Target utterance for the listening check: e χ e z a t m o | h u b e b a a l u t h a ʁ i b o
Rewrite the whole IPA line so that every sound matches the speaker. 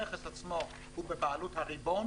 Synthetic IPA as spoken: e χ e s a t͡s m o | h u b e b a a l u t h a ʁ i b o